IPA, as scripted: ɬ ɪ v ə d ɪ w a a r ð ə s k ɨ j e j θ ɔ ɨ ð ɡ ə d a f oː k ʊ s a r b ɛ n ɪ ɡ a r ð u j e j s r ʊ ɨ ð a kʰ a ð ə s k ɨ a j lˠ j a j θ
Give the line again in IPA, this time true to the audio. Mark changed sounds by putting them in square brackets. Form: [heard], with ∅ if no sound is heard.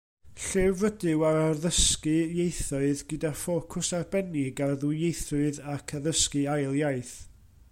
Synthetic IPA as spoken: ɬ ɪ v ə d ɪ w a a r ð ə s k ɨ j e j θ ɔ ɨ ð ɡ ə d a f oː [kʰ] ʊ s a r b ɛ n ɪ ɡ a r ð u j e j [θ] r ʊ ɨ ð a kʰ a ð ə s k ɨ a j lˠ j a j θ

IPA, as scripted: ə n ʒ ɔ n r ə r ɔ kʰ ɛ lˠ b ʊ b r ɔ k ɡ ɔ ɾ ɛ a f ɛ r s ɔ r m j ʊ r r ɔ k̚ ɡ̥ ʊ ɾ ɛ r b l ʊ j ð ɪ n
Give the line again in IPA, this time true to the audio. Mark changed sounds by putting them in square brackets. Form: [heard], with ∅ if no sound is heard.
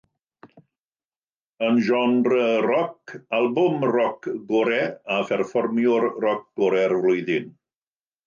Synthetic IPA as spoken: ə n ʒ ɔ n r ə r ɔ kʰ [a] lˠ b ʊ [m] r ɔ k ɡ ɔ ɾ ɛ a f ɛ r [f] ɔ r m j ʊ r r ɔ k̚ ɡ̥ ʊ ɾ ɛ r [v] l ʊ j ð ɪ n

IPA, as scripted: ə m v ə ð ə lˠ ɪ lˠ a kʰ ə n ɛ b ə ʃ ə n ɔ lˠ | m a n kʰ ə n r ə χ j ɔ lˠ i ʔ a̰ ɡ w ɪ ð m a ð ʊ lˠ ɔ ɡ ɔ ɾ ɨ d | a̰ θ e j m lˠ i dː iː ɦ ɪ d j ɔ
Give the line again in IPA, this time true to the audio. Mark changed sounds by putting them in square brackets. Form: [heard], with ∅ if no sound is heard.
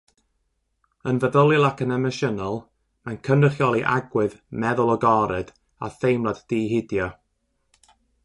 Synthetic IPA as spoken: ə [n] v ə ð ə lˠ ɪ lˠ a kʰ ə n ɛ [m] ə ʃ ə n ɔ lˠ | m a n kʰ ə n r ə χ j ɔ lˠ i ʔ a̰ ɡ w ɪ ð m [ɛ] ð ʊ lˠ ɔ ɡ ɔ ɾ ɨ d | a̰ θ e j m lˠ [a] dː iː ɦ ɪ d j ɔ

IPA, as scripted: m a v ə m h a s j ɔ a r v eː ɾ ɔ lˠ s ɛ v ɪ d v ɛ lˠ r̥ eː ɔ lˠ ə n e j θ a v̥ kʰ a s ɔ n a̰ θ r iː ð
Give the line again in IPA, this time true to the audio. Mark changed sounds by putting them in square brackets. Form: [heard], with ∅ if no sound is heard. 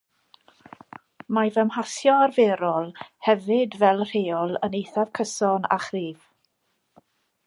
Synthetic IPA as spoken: m a v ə m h a s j ɔ a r v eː ɾ ɔ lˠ [h] ɛ v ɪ d v ɛ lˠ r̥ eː ɔ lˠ ə n e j θ a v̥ kʰ [ə] s ɔ n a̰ [χ] r iː [v]

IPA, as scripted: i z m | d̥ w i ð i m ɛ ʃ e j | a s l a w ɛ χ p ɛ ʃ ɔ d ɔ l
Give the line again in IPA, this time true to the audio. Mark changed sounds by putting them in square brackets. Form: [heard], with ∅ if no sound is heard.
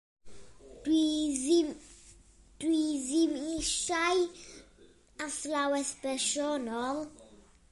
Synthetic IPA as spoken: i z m | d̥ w i [z] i m [i] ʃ [a] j | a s l a w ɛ [s] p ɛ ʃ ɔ [n] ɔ l

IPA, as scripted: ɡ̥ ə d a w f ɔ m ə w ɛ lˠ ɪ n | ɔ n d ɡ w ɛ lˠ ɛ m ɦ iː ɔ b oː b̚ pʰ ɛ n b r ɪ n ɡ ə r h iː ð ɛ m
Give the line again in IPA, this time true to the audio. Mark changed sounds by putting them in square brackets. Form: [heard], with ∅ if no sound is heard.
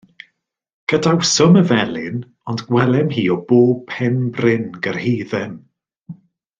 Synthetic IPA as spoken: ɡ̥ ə d a w [s] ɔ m ə [v] ɛ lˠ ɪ n | ɔ n d ɡ w ɛ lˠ ɛ m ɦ iː ɔ b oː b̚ pʰ ɛ n b r ɪ n ɡ ə r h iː ð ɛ m

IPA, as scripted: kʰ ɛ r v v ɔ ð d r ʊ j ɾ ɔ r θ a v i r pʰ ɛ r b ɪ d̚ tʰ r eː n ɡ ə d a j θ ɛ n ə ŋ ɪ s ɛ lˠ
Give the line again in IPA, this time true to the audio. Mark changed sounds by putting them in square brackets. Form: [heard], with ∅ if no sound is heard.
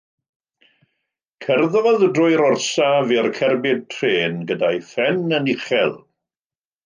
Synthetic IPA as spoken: kʰ ɛ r [ð] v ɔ ð d r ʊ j ɾ ɔ r [s] a v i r [kʰ] ɛ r b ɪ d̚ tʰ r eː n ɡ ə d a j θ ɛ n ə [n] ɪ [χ] ɛ lˠ

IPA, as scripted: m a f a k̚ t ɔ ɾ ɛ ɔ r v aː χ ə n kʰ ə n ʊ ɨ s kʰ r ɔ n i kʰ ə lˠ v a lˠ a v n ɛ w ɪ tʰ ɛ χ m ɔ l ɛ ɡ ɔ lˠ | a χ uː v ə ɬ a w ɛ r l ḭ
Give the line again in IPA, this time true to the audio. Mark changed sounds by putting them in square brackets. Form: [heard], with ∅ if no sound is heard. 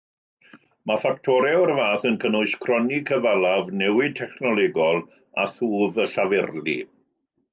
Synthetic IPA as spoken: m a f a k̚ [tʰ] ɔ ɾ ɛ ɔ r v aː [θ] ə n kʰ ə n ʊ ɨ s kʰ r ɔ n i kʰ ə [∅] v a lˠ a v n ɛ w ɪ tʰ ɛ χ [n] ɔ l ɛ ɡ ɔ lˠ | a [θ] uː v ə ɬ a [v] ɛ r l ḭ

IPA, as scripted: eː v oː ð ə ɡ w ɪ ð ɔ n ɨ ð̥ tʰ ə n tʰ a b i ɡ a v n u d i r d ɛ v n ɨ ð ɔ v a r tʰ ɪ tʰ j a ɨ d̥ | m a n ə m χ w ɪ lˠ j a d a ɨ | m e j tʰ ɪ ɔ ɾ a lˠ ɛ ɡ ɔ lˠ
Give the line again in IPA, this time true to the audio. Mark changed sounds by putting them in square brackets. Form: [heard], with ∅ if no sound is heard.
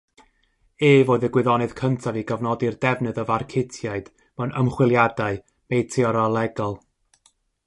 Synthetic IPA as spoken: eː v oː ð ə ɡ w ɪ ð ɔ n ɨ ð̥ [kʰ] ə n tʰ a [v] i ɡ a v n [ɔ] d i r d ɛ v n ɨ ð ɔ v a r [kʰ] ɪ tʰ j a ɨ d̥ | m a n ə m χ w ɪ lˠ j a d a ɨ | m e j tʰ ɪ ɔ ɾ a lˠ ɛ ɡ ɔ lˠ

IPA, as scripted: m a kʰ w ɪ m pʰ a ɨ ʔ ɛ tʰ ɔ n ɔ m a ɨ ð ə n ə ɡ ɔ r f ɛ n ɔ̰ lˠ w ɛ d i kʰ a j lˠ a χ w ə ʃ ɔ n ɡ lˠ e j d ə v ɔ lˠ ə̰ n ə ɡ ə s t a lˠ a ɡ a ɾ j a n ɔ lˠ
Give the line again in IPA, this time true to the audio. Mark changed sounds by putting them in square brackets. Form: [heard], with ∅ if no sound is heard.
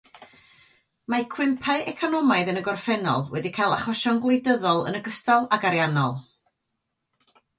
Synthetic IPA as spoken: m a kʰ w ɪ m pʰ a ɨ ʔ ɛ [kʰ] ɔ n ɔ m a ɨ ð ə n ə ɡ ɔ r f ɛ n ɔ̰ lˠ w ɛ d i kʰ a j lˠ a χ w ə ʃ ɔ n ɡ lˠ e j d ə [ð] ɔ lˠ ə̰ n ə ɡ ə s t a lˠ a ɡ a ɾ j a n ɔ lˠ

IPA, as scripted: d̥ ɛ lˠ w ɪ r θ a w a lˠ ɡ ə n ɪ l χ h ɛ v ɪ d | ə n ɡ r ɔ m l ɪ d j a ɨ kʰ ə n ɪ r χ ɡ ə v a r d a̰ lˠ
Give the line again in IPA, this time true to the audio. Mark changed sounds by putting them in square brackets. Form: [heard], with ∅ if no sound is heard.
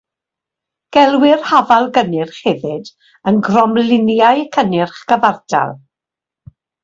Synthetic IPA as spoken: [ɡ̥] ɛ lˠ w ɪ r [h] a [v] a lˠ ɡ ə n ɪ [r] χ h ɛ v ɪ d | ə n ɡ r ɔ m l ɪ [n] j a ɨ kʰ ə n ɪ r χ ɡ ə v a r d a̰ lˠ

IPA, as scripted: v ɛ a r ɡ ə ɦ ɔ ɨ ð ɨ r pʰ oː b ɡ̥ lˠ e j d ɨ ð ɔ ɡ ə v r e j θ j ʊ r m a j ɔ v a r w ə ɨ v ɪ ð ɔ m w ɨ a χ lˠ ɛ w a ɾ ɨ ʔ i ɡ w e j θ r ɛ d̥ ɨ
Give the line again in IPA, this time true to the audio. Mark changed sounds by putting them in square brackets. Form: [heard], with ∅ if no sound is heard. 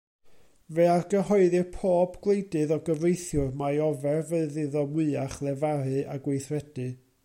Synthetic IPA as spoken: v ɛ a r ɡ ə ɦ ɔ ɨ ð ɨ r pʰ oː b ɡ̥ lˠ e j d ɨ ð ɔ ɡ ə v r e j θ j ʊ r m a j ɔ v [ɛ] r [v] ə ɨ [ð] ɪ ð ɔ m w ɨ a χ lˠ ɛ [v] a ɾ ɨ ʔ [a] ɡ w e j θ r ɛ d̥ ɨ

